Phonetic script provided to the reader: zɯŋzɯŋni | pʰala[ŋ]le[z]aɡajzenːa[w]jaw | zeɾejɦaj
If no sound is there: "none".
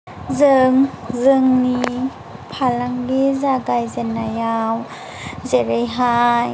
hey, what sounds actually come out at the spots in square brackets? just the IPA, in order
ŋ, z, none

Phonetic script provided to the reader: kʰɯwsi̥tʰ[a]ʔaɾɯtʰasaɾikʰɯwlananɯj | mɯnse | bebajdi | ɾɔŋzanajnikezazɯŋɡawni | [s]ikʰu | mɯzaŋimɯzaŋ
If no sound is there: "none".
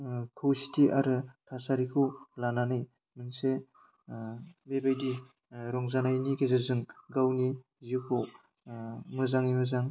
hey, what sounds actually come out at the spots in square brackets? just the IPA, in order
i, z

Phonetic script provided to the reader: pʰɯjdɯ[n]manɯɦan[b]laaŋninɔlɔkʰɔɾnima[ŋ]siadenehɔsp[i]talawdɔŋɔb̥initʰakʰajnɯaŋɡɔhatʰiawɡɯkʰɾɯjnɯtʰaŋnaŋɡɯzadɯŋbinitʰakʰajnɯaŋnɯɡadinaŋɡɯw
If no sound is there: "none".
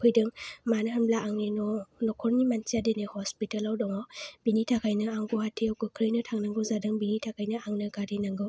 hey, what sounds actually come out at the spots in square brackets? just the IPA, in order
ŋ, b, n, i

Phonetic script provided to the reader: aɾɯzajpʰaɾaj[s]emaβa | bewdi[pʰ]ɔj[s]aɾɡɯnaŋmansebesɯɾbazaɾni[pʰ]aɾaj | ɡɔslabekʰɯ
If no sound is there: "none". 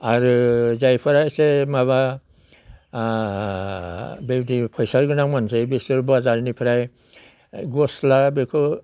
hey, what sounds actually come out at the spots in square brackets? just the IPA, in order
s, pʰ, s, pʰ

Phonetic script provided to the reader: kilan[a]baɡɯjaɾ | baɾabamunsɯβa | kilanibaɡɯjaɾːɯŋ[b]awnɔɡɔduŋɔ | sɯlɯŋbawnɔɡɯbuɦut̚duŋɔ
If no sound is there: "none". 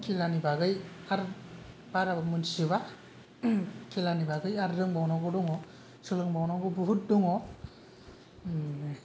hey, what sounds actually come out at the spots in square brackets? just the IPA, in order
i, b

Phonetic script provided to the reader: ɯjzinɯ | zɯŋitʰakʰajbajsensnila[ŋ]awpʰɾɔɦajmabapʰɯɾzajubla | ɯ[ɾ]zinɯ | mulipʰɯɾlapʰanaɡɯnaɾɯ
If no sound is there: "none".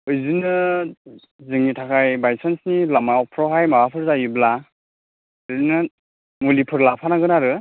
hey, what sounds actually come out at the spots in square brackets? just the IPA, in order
m, none

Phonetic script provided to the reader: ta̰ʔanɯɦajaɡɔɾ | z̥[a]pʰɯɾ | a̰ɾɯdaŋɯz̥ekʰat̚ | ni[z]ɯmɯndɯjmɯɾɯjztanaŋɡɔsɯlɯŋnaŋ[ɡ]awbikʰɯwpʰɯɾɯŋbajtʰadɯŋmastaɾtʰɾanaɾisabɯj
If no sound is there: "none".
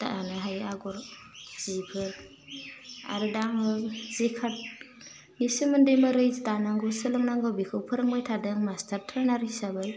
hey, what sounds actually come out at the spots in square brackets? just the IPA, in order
i, s, ɡ

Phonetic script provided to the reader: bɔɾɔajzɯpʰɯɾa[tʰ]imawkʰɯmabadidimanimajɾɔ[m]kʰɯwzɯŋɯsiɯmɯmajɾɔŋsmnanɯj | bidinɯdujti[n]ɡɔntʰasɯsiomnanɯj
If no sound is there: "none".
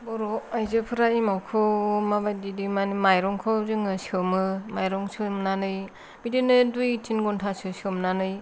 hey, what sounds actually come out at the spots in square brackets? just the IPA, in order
none, ŋ, n

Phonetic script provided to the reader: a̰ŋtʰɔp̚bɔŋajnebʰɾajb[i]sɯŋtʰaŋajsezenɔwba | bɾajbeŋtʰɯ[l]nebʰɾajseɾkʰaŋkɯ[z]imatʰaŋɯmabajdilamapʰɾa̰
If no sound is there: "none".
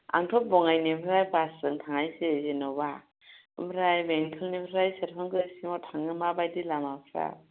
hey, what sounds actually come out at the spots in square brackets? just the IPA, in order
a, l, s

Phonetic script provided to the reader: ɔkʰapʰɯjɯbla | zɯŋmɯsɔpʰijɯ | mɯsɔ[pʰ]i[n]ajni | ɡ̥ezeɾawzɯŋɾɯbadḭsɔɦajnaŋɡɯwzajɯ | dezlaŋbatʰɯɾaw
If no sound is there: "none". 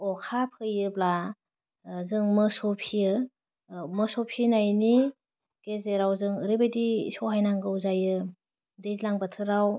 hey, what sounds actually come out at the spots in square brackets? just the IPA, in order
pʰ, n

